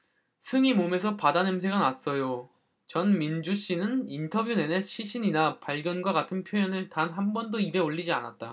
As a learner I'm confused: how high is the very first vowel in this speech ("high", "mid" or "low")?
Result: high